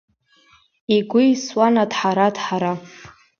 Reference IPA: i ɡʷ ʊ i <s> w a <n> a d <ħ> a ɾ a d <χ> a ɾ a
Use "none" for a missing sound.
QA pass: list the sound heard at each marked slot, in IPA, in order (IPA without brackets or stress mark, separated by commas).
s, n, ħ, ħ